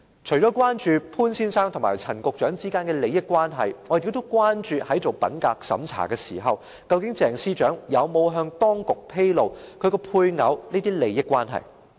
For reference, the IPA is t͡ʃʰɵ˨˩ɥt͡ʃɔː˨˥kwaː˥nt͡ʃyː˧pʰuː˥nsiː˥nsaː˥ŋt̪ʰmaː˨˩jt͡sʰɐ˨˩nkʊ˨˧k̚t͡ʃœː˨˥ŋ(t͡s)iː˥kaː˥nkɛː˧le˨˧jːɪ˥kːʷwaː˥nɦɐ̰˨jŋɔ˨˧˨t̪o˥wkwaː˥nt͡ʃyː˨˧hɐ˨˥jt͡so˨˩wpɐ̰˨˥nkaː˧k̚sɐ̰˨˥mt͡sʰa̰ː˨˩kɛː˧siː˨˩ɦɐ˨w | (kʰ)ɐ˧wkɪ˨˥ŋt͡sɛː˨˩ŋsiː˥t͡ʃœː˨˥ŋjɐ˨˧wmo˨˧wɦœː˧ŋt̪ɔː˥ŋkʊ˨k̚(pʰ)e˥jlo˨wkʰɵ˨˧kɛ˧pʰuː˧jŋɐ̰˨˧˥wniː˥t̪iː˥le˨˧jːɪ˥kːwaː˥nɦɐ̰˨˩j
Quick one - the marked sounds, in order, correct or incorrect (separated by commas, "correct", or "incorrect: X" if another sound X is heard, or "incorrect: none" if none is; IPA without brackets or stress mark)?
correct, incorrect: k, correct